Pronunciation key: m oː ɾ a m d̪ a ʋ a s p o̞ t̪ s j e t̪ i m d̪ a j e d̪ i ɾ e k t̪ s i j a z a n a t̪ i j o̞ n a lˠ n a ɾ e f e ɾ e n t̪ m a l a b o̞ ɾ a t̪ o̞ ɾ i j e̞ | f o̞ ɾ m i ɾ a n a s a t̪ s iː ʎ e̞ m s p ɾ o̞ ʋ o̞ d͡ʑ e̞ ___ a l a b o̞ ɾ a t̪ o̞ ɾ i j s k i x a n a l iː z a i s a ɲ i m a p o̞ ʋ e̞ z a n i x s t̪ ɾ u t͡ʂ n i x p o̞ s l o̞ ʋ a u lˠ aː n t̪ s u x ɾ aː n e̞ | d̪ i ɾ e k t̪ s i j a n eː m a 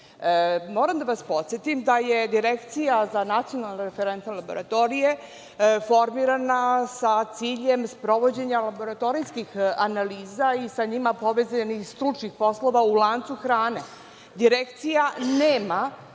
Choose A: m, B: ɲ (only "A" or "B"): B